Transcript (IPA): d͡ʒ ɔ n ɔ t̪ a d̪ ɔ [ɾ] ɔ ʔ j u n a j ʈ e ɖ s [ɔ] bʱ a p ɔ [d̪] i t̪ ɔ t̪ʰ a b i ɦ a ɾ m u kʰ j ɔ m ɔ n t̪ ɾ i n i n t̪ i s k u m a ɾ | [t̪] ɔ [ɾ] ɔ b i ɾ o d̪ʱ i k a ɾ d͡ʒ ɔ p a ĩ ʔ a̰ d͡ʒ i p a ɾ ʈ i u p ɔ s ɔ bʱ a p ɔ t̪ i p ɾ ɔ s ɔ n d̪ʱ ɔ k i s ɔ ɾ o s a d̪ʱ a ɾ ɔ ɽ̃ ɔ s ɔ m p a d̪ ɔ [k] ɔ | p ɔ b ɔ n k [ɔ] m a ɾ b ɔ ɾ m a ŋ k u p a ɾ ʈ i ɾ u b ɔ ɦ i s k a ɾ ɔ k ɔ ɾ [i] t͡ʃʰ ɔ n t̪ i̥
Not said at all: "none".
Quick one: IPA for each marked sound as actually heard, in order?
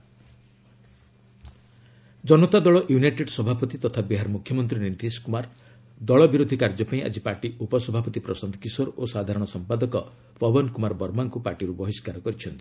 ɭ, ɔ, t̪, d̪, ɭ, k, u, i

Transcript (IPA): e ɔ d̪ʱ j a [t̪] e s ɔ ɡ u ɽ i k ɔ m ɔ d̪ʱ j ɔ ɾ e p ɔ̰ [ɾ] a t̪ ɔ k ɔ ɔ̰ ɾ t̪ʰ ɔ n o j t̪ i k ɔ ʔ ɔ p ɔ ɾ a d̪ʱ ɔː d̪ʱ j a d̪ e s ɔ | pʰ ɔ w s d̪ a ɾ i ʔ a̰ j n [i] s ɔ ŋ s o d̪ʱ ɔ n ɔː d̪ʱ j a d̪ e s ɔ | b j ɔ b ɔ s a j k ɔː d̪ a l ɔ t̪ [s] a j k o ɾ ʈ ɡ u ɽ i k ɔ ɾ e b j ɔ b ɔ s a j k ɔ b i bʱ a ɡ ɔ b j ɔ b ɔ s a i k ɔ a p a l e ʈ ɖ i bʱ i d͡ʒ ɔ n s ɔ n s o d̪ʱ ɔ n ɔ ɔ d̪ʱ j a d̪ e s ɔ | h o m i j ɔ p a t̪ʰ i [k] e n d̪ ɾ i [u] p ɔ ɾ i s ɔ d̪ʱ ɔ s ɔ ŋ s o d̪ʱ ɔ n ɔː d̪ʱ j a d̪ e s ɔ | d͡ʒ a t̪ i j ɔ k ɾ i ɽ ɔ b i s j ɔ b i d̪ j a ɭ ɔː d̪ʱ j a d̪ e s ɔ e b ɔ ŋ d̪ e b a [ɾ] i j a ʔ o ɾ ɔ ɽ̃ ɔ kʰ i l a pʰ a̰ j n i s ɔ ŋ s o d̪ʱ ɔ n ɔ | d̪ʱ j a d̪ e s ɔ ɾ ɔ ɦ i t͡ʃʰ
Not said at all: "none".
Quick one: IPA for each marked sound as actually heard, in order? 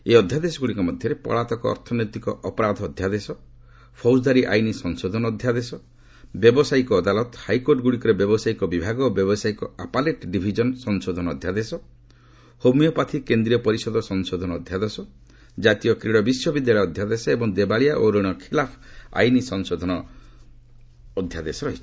d̪, ɭ, i, h, k, ɔ, ɭ

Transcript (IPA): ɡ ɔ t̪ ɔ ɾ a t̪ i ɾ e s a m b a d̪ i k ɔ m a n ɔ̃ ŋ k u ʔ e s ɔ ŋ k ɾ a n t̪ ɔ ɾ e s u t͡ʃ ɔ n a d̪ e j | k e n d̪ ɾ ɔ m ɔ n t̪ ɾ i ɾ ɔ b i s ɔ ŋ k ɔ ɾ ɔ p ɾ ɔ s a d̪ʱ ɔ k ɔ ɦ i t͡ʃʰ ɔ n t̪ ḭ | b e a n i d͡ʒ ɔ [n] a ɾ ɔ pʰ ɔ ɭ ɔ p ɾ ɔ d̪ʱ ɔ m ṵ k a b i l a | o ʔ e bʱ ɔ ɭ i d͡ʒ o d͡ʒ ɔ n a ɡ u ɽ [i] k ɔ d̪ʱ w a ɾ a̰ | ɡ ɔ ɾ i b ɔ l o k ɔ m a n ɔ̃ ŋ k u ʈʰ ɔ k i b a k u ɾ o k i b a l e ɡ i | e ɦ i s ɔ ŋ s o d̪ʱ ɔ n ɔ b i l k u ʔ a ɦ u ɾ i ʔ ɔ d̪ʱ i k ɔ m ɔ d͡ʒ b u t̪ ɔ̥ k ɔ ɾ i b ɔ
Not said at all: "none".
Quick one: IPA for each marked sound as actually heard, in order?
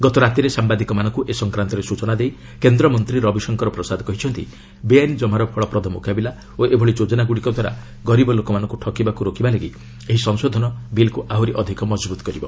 m, i

